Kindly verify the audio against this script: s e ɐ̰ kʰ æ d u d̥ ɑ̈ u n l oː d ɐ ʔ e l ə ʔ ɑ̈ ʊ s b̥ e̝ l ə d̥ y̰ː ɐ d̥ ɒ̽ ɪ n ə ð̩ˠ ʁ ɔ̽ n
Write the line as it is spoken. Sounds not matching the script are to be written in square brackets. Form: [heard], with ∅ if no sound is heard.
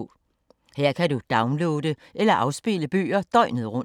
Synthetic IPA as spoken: [h] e ɐ̰ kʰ æ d u d̥ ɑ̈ [ʊ] n l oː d [ə] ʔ e l [ɐ] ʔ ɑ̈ ʊ s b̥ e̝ l ə [b̥] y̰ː ɐ d̥ ɒ̽ ɪ n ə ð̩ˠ ʁ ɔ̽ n